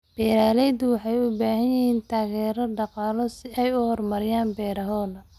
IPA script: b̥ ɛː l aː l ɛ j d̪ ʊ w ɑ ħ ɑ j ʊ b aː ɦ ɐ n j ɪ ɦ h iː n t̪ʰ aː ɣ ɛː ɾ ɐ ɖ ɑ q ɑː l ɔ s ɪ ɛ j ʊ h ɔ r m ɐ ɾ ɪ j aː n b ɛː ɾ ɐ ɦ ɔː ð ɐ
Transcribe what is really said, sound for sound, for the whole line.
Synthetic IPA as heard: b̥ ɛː ɾ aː l ɛ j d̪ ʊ w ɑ ħ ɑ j ʊ b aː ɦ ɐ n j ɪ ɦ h iː n t̪ʰ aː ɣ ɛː ɾ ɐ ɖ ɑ q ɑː l ɔ s ɪ ɛ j ʊ h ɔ r m ɐ ɾ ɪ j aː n b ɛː ɾ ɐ ɦ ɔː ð ɐ